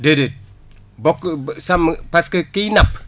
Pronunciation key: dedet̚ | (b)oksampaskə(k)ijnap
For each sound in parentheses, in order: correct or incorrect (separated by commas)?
correct, correct